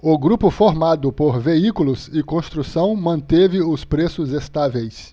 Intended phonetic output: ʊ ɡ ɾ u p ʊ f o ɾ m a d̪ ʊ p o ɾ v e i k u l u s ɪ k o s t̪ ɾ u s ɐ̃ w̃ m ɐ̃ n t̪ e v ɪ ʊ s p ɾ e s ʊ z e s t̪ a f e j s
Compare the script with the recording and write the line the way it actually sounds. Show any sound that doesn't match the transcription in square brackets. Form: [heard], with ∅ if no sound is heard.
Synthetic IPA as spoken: ʊ ɡ ɾ u p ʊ f o ɾ m a d̪ ʊ p o ɾ v e i k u l [ʊ] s ɪ k [õ] s t̪ ɾ u s ɐ̃ w̃ m ɐ̃ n t̪ e v ɪ ʊ s p ɾ e s ʊ z e s t̪ a [v] e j s

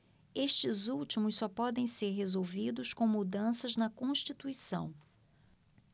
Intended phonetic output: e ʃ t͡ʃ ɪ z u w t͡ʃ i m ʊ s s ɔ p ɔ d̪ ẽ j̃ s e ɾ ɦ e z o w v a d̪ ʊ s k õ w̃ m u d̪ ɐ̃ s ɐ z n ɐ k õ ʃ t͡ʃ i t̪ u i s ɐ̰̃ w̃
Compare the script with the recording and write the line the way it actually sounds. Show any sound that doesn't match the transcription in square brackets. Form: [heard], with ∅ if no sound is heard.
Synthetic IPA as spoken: e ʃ t͡ʃ ɪ z u w t͡ʃ i m ʊ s s ɔ p ɔ d̪ ẽ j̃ s e ɾ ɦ e z o w v [i] d̪ ʊ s k õ w̃ m u d̪ ɐ̃ s ɐ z n ɐ k õ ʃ t͡ʃ i t̪ u i s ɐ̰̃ w̃

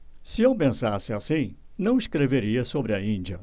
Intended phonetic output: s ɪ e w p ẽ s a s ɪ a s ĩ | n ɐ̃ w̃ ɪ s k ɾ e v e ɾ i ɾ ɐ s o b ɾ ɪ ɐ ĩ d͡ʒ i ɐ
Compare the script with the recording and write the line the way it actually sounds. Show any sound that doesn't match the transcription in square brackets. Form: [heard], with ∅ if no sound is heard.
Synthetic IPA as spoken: s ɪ e w p ẽ s a s ɪ a s ĩ | n ɐ̃ w̃ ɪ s k ɾ e v e ɾ i [∅] ɐ s o b ɾ ɪ ɐ ĩ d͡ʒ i ɐ

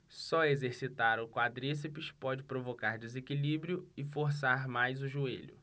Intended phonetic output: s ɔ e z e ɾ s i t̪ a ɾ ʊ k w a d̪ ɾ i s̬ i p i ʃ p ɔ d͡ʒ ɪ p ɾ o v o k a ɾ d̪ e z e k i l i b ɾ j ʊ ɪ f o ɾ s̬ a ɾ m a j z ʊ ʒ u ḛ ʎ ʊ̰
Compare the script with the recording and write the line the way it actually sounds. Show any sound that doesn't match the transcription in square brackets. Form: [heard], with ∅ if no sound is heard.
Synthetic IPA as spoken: s ɔ e z e ɾ s i t̪ a ɾ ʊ k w a d̪ ɾ i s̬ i p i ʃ p ɔ d͡ʒ ɪ p ɾ o v o k a ɾ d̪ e z e k i l i b ɾ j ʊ ɪ f o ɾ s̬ a ɾ m a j z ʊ ʒ u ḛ ʎ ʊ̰

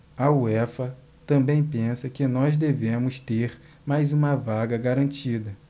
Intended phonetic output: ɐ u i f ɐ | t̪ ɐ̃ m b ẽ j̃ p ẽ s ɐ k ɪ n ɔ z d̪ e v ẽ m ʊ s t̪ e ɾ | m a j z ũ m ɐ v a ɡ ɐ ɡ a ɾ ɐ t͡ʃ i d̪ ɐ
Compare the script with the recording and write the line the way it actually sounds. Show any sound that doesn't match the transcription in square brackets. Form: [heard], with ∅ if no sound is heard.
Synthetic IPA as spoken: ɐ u [ɛ] f ɐ | t̪ ɐ̃ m b ẽ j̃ p ẽ s ɐ k ɪ n ɔ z d̪ e v ẽ m ʊ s t̪ e ɾ | m a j z ũ m ɐ v a ɡ ɐ ɡ a ɾ [ɐ̃] t͡ʃ i d̪ ɐ

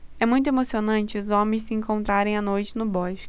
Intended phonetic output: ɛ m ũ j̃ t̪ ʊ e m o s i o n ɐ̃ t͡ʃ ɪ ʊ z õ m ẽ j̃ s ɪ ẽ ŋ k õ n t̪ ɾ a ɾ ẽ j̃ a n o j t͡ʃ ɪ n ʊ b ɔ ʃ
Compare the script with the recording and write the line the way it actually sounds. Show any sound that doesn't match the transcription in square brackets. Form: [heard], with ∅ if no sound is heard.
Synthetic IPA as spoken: ɛ m ũ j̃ t̪ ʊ e m o s i o n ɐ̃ t͡ʃ ɪ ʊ z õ m ẽ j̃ s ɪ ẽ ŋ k õ n t̪ ɾ a ɾ ẽ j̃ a n o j t͡ʃ ɪ n ʊ b ɔ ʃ

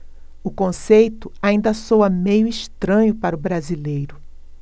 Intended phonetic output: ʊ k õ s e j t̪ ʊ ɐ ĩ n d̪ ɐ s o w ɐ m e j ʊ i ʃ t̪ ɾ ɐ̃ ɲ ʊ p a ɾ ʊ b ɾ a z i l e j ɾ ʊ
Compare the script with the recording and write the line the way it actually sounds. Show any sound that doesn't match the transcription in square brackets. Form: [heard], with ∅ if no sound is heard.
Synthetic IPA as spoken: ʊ k õ s e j t̪ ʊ [a] ĩ n d̪ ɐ s o w ɐ m e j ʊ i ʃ t̪ ɾ ɐ̃ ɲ ʊ p a ɾ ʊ b ɾ a z i l e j ɾ ʊ

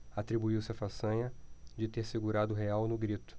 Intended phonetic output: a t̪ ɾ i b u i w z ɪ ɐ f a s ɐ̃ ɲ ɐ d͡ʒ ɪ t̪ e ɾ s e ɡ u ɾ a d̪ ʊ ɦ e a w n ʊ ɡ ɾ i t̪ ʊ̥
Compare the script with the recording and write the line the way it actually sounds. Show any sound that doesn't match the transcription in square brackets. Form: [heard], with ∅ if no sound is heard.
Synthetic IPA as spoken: a t̪ ɾ i b u i w [s] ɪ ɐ f a s ɐ̃ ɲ ɐ d͡ʒ ɪ t̪ e ɾ s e ɡ u ɾ a d̪ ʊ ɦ e a w n ʊ ɡ ɾ i t̪ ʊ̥

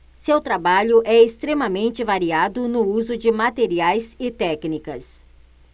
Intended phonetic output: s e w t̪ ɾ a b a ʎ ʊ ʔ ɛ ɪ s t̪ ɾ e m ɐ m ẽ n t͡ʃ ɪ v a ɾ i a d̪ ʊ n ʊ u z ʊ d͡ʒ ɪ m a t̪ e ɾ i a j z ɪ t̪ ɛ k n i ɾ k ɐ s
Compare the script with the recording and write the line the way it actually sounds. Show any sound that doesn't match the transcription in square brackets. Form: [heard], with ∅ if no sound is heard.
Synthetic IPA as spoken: s e w t̪ ɾ a b a ʎ ʊ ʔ ɛ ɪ s t̪ ɾ e m ɐ m ẽ n t͡ʃ ɪ v a ɾ i a d̪ ʊ n ʊ u z ʊ d͡ʒ ɪ m a t̪ e ɾ i a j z ɪ t̪ ɛ k n i [∅] k ɐ s

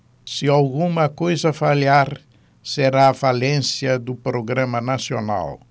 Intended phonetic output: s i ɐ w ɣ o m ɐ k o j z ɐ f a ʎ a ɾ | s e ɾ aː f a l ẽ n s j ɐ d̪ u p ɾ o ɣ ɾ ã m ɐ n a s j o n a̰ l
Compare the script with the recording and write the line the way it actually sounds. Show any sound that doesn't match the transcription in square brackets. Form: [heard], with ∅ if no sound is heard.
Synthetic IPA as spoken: s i [a] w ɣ [u] m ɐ k o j z ɐ f a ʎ a ɾ | s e ɾ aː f a l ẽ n s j ɐ d̪ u p ɾ o ɣ ɾ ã m ɐ n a s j o n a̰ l

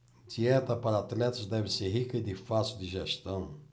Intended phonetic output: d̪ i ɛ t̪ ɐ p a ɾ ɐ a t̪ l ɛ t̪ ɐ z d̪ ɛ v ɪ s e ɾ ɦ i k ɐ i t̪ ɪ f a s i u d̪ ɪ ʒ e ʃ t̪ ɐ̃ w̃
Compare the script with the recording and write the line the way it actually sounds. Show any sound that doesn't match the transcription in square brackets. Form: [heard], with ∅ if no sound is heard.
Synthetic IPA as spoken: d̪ i ɛ t̪ ɐ p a ɾ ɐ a t̪ l ɛ t̪ ɐ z d̪ ɛ v ɪ s e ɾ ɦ i k ɐ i [d̪] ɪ f a s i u d̪ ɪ ʒ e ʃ t̪ ɐ̃ w̃

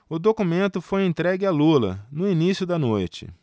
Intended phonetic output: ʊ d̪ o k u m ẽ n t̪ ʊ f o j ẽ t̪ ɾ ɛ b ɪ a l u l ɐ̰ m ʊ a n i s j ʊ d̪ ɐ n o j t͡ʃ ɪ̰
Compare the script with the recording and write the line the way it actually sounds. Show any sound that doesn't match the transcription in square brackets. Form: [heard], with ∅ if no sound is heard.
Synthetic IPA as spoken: ʊ d̪ o k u m ẽ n t̪ ʊ f o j ẽ t̪ ɾ ɛ [ɡ] ɪ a l u l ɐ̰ [n] ʊ [i] n i s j ʊ d̪ ɐ n o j t͡ʃ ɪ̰

